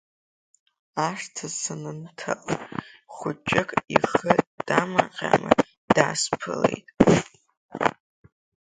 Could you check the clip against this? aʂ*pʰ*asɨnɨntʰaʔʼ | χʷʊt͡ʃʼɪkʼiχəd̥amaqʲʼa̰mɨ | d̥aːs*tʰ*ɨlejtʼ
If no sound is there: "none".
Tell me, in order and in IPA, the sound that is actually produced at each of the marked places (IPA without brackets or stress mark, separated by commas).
tʰ, pʰ